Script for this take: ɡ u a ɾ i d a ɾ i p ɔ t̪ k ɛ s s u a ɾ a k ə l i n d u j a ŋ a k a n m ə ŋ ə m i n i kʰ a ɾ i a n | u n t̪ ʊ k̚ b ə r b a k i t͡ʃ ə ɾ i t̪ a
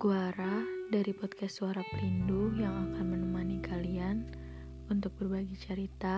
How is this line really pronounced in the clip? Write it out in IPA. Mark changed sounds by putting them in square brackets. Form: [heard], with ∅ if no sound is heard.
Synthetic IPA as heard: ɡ u a ɾ [a] d a ɾ i p ɔ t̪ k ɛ s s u a ɾ a [p] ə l i n d u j a ŋ a k a n m ə [n] ə m [a] n i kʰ a [l] i a n | u n t̪ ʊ k̚ b ə r b a [ɡ] i t͡ʃ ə ɾ i t̪ a